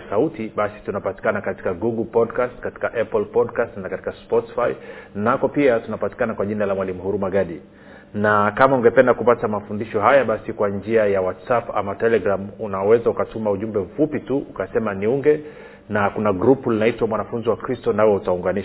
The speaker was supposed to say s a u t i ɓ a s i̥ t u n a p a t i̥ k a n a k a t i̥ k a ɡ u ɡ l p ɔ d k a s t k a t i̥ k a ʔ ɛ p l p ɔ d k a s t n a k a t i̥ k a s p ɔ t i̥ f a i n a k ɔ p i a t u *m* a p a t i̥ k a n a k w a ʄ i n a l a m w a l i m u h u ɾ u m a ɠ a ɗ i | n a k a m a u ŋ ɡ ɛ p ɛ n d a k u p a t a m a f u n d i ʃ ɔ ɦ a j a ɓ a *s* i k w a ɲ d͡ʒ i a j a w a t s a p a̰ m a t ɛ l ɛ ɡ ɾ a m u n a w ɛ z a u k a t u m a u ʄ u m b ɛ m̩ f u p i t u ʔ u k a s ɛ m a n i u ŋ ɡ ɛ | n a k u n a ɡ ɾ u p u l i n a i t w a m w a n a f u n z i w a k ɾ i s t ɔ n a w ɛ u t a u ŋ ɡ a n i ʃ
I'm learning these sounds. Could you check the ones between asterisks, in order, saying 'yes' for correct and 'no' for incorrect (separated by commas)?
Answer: no, yes